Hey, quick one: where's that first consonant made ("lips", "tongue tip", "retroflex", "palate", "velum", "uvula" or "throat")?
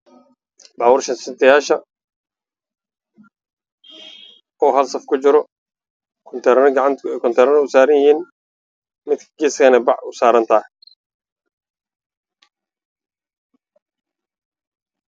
lips